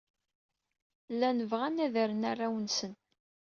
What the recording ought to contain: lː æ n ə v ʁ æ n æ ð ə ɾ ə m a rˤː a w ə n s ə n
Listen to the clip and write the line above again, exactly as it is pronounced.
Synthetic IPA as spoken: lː æ n ə v ʁ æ n æ ð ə ɾ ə n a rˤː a w ə n s ə n